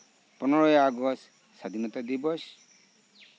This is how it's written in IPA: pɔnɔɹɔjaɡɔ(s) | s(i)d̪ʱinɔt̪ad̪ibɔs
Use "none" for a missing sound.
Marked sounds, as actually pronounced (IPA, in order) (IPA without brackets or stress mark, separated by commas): s, a